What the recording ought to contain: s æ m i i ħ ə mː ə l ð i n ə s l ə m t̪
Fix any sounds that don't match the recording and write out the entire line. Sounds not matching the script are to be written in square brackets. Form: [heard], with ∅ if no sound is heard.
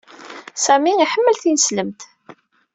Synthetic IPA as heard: s æ m i i ħ ə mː ə l [θ] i n ə s l ə m t̪